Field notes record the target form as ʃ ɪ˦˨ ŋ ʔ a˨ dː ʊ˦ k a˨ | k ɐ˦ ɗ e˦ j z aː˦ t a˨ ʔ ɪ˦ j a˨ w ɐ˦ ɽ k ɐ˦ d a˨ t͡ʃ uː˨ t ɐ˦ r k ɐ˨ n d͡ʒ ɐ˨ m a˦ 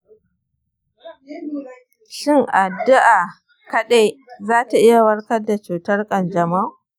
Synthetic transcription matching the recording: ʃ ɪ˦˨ ŋ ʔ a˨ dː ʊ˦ ʔ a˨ | k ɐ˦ ɗ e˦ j z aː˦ t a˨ ʔ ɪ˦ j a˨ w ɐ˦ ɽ k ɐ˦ d a˨ t͡ʃ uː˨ t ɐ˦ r kʼ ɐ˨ n d͡ʒ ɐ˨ m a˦